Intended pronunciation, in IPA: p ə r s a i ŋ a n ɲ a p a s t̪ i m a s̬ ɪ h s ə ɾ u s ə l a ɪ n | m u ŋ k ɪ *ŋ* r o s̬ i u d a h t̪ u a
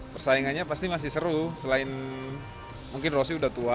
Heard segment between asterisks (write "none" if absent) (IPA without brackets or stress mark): n